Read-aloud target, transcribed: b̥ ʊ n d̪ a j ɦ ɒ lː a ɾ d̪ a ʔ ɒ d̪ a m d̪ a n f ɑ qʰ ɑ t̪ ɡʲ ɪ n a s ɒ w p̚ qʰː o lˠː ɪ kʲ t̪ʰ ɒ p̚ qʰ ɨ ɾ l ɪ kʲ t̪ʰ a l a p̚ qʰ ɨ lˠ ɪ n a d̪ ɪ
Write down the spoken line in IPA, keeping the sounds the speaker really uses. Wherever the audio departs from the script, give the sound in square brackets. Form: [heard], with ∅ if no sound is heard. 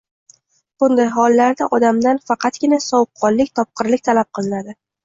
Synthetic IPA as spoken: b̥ ʊ n d̪ a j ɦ ɒ lː a ɾ d̪ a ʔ ɒ d̪ a m d̪ a n f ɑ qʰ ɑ t̪ ɡʲ ɪ n a s ɒ w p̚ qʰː [ɒ] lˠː ɪ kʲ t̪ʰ ɒ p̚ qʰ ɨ ɾ l ɪ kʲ t̪ʰ a l a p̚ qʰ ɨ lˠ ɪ n a d̪ ɪ

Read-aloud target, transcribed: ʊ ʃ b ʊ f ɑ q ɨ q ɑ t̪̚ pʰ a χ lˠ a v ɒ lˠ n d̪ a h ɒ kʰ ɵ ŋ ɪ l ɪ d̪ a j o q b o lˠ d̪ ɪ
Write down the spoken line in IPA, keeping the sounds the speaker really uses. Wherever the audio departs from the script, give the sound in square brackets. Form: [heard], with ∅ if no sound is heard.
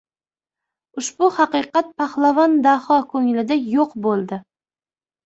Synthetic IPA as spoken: ʊ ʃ b ʊ [h] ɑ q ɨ q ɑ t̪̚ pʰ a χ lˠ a v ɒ [∅] n d̪ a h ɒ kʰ ɵ ŋ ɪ l ɪ d̪ a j o q b o lˠ d̪ ɪ

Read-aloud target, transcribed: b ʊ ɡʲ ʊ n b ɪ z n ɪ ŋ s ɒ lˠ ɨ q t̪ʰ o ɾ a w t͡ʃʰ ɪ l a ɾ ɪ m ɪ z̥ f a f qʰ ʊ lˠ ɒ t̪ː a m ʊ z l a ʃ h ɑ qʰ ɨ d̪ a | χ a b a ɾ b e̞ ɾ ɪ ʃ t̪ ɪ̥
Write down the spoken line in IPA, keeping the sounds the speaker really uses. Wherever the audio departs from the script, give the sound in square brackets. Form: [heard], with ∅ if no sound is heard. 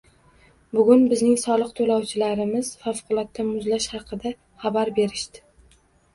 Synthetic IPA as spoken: b ʊ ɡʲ ʊ n b ɪ z n ɪ ŋ s ɒ lˠ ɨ q t̪ʰ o [l] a w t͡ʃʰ ɪ l a ɾ ɪ m ɪ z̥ f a f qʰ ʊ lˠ ɒ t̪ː a m ʊ z l a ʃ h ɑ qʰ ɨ d̪ a | χ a b a ɾ b e̞ ɾ ɪ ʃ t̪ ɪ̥

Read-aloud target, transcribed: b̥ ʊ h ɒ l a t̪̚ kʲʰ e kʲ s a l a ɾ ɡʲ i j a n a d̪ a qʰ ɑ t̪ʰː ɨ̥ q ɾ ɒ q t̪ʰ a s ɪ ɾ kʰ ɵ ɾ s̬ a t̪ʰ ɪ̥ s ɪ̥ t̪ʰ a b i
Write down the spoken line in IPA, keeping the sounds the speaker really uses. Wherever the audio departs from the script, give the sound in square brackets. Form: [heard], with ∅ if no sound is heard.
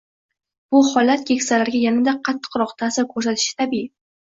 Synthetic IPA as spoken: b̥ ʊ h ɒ l a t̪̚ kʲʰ e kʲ s a l a ɾ ɡʲ [a] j a n a d̪ a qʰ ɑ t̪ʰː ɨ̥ q ɾ ɒ q t̪ʰ a s ɪ ɾ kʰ ɵ ɾ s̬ a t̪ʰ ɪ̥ [ʃ] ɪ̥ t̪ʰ a b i

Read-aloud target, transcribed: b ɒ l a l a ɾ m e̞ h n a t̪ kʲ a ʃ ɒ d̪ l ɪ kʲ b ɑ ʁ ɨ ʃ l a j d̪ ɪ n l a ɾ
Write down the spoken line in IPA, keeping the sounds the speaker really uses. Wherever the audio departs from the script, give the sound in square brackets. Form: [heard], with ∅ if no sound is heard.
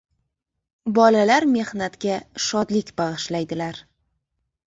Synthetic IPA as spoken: b ɒ l a l a ɾ m e̞ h n a t̪ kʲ a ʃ ɒ d̪ l ɪ kʲ b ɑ ʁ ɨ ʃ l a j d̪ ɪ [∅] l a ɾ

